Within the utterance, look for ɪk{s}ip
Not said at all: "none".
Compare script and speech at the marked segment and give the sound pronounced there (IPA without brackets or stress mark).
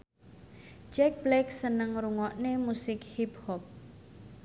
h